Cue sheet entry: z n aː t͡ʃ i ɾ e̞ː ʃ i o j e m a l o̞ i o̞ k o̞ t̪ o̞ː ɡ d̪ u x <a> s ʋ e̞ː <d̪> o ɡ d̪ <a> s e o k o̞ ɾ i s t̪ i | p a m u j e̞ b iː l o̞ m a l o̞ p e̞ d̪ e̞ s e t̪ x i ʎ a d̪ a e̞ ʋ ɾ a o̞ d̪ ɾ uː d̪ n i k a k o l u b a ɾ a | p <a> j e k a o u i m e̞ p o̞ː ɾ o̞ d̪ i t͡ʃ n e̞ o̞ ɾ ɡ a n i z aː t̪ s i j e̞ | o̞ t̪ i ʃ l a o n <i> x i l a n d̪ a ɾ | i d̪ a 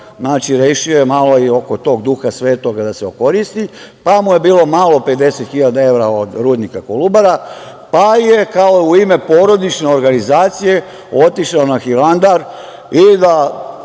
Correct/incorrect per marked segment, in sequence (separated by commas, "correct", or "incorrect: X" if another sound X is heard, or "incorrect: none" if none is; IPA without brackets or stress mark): correct, incorrect: t̪, correct, correct, incorrect: a